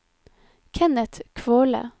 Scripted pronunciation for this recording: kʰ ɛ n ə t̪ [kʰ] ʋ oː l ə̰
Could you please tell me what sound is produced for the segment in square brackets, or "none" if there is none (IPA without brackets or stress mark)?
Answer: kʰ